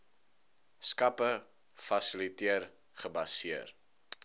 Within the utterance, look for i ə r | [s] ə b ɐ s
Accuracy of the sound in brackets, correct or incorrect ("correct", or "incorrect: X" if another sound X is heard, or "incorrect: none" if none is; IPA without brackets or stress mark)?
incorrect: χ